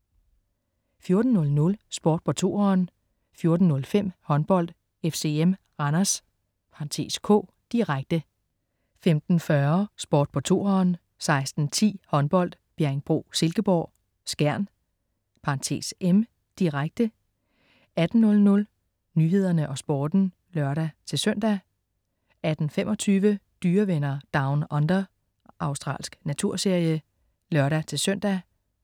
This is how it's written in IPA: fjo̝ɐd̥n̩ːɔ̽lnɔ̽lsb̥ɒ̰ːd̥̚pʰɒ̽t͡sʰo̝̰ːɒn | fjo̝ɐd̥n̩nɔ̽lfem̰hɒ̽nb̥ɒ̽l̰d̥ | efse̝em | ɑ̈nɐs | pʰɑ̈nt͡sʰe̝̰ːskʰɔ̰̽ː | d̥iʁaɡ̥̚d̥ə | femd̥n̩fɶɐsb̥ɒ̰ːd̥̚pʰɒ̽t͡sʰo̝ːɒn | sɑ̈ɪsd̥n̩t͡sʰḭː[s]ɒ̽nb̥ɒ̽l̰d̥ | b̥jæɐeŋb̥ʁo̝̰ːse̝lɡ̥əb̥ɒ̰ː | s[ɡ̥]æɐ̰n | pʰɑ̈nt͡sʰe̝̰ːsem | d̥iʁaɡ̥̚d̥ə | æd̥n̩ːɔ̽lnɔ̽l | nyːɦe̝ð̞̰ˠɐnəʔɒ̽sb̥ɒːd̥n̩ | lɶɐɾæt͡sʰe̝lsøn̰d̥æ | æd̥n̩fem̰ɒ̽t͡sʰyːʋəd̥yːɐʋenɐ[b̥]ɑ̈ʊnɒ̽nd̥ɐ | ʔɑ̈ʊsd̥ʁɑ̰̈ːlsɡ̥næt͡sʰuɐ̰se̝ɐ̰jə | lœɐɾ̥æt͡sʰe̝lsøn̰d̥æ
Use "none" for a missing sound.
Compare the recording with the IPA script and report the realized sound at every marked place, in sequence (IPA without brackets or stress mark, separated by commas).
h, ɡ̥, d̥